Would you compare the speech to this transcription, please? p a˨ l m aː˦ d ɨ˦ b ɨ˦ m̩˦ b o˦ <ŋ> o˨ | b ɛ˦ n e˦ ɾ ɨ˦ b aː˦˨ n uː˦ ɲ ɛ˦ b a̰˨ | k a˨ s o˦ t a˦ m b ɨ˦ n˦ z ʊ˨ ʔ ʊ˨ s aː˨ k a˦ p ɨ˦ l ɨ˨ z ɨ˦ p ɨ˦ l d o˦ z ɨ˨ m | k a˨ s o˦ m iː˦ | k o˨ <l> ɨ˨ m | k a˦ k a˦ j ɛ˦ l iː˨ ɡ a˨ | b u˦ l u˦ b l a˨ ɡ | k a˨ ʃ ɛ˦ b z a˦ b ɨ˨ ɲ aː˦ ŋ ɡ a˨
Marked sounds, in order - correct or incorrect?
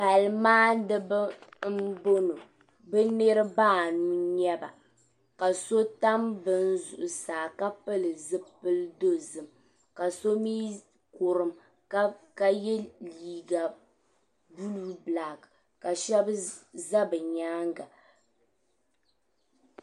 incorrect: n, incorrect: ɾ

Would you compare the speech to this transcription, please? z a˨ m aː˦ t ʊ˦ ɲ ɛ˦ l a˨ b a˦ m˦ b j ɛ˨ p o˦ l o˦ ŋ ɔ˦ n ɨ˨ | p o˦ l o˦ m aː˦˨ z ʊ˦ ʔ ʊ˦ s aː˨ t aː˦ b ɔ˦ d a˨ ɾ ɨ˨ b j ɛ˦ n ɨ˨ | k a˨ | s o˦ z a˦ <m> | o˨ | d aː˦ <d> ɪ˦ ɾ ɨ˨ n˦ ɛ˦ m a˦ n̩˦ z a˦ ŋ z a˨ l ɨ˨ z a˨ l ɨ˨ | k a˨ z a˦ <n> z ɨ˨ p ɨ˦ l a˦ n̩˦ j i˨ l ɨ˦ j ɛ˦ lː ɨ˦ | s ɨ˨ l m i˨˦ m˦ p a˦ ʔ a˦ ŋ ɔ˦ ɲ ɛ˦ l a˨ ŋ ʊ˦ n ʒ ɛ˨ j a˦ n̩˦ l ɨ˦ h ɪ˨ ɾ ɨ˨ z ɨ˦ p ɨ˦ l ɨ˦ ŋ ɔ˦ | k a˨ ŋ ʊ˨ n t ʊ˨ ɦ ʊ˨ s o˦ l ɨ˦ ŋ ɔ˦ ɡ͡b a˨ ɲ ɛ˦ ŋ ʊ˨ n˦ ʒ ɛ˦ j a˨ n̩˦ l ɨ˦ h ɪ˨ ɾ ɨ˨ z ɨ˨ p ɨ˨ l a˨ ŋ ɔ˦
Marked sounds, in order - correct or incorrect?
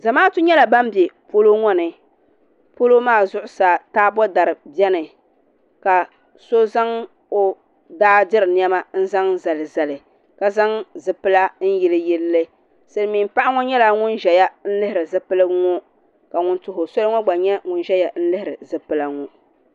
incorrect: ŋ, correct, incorrect: ŋ

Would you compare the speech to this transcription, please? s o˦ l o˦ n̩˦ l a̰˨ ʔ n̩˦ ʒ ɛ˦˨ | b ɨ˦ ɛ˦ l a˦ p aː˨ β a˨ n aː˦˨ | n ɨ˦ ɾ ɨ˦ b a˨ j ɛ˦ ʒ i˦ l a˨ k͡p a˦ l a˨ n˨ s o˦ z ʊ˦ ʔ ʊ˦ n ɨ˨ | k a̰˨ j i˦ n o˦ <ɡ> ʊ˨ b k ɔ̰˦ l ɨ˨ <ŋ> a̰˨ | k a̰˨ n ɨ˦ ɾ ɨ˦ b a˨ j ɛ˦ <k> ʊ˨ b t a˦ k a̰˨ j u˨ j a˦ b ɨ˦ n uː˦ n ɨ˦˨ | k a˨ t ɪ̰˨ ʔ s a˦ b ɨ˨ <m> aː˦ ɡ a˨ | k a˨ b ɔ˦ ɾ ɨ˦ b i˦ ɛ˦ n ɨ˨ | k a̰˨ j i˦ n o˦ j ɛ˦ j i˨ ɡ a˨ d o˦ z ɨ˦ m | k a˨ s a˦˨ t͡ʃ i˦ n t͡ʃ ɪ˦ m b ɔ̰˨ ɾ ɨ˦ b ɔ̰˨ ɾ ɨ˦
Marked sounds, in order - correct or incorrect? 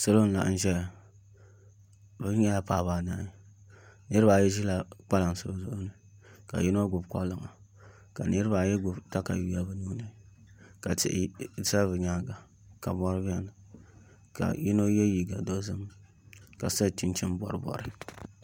correct, correct, incorrect: ɡ, incorrect: ɲ

